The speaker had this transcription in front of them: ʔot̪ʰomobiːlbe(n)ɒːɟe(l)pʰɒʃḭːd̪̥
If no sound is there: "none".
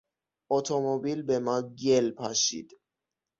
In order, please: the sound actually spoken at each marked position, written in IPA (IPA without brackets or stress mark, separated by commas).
m, l